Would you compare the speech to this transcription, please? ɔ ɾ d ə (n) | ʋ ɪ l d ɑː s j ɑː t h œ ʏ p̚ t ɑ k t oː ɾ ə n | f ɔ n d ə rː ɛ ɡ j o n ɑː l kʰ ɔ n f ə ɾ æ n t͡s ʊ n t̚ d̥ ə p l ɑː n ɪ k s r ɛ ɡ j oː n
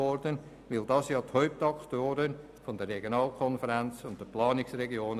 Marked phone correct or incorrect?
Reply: correct